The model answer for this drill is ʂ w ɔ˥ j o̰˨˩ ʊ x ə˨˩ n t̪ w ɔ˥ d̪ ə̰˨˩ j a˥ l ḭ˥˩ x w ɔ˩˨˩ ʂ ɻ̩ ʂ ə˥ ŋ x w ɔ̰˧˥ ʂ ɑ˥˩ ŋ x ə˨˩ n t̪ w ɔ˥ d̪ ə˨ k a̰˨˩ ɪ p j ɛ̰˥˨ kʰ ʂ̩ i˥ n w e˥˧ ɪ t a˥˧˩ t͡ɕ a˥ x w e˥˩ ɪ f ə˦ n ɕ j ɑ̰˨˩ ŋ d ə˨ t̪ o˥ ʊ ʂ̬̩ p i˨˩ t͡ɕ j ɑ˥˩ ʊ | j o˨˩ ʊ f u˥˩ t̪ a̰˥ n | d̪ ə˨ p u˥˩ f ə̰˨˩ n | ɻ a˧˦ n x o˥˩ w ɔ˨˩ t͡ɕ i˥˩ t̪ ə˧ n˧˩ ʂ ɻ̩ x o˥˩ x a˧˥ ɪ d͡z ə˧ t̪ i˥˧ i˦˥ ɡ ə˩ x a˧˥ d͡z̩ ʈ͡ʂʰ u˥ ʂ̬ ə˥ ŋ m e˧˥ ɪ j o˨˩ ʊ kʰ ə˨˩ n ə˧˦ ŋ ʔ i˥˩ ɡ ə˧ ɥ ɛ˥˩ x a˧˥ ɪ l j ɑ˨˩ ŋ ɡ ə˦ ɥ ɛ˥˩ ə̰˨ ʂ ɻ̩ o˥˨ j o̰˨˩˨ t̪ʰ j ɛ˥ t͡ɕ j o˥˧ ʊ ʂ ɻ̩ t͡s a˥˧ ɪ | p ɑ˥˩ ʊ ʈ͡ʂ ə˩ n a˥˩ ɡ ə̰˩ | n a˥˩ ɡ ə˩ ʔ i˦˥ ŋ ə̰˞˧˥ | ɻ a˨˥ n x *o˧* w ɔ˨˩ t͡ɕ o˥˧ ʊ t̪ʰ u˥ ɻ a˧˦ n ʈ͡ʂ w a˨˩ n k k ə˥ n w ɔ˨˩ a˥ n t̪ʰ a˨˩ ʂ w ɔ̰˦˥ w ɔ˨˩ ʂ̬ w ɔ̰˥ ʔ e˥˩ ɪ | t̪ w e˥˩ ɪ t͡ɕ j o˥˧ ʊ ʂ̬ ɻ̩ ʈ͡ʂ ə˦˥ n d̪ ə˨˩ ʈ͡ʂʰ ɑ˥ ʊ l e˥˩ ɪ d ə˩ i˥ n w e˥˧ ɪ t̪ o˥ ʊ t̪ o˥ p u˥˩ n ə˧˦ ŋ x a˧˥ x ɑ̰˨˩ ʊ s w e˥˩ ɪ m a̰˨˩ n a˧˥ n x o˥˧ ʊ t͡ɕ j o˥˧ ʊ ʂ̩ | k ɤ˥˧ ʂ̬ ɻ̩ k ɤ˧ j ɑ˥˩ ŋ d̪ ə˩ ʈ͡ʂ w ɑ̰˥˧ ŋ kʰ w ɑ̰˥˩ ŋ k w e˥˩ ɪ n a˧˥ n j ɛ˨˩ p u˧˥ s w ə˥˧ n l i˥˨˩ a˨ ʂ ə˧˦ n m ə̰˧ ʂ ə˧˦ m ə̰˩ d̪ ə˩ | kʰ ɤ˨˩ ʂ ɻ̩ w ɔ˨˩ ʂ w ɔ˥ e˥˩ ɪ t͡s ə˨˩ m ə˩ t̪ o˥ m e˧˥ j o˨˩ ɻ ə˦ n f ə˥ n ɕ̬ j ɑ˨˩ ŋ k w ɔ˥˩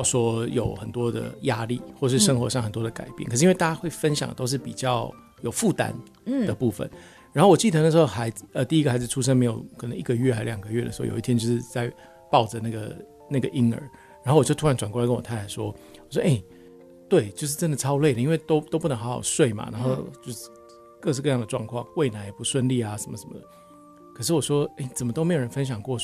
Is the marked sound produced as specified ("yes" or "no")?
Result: no